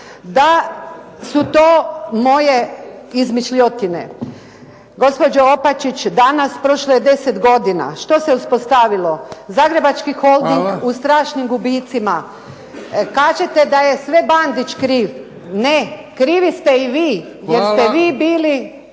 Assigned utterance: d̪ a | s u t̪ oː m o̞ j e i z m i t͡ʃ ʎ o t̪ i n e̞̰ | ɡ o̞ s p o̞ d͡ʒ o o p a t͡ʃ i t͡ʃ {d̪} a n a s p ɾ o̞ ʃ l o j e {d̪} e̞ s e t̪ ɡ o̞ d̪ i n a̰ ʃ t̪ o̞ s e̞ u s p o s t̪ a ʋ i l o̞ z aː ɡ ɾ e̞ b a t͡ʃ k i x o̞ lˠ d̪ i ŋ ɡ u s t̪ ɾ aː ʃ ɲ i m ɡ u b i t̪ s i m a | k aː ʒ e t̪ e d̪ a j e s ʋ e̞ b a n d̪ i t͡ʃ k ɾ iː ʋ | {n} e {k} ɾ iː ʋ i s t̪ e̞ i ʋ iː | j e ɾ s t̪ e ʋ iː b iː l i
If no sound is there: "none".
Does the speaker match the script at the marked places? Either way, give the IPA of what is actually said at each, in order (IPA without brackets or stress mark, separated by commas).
d̪, d̪, n, k